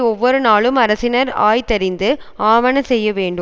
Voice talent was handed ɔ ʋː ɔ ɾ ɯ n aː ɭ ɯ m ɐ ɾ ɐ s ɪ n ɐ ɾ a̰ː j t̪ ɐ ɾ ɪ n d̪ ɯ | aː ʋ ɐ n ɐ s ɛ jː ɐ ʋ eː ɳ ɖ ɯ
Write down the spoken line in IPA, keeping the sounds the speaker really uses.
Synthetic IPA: ɔ ʋː ɔ ɾ ɯ n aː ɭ ɯ m ɐ ɾ ɐ s ɪ n ɐ ɾ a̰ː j t̪ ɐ ɾ ɪ n d̪ ɯ | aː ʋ ɐ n ɐ s ɛ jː ɐ ʋ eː ɳ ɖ ɯ